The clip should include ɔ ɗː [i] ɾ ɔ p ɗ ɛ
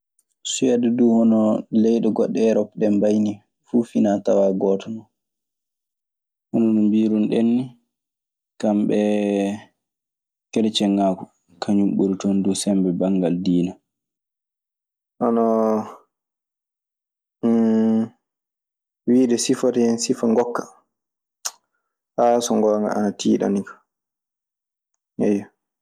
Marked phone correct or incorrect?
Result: incorrect